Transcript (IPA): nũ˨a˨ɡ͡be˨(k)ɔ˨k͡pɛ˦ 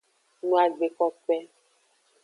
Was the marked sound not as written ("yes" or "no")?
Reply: no